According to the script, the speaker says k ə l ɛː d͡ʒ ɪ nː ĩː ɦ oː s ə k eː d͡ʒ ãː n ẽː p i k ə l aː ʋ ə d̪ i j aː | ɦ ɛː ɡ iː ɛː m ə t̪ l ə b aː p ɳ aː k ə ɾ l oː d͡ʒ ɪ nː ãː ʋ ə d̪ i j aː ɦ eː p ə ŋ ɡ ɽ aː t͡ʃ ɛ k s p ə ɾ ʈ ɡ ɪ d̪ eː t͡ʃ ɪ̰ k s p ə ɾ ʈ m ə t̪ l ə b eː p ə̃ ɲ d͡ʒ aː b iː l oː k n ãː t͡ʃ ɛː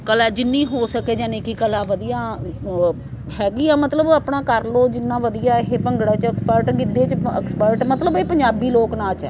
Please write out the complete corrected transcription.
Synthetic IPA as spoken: k ə l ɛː d͡ʒ ɪ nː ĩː ɦ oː s ə k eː d͡ʒ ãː n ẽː k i k ə l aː ʋ ə d̪ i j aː | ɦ ɛː ɡ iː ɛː m ə t̪ l ə b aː p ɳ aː k ə ɾ l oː d͡ʒ ɪ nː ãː ʋ ə d̪ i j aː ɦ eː p ə ŋ ɡ ɽ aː t͡ʃ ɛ k s p ə ɾ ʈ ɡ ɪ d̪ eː t͡ʃ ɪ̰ k s p ə ɾ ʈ m ə t̪ l ə b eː p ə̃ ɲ d͡ʒ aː b iː l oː k n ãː t͡ʃ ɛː